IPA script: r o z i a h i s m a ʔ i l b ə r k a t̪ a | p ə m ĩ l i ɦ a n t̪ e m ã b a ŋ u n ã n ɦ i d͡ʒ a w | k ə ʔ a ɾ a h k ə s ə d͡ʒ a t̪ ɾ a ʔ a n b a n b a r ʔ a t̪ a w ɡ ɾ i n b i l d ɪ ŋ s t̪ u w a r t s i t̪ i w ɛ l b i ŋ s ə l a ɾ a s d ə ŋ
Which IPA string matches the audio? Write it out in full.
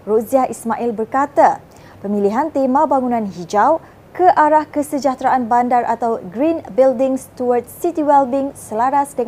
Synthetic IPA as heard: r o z i a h i s m a ʔ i l b ə r k a t̪ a | p ə m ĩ l i ɦ a n t̪ e m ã b a ŋ u n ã n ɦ i d͡ʒ a w | k ə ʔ a ɾ a h k ə s ə d͡ʒ a t̪ ɾ a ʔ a n b a n d a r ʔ a t̪ a w ɡ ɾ i n b i l d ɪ ŋ s t̪ u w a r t s i t̪ i w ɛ l b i ŋ s ə l a ɾ a s d ə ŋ